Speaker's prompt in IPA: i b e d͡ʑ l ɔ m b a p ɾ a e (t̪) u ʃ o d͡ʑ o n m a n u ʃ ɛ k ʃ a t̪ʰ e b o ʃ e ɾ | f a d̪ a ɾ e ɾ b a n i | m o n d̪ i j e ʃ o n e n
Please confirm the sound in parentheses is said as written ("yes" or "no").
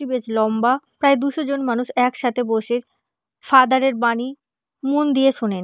no